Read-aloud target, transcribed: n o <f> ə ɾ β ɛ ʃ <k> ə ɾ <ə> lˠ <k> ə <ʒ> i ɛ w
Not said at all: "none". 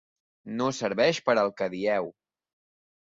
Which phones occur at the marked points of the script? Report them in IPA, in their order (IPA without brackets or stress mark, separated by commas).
s, p, ə, k, ð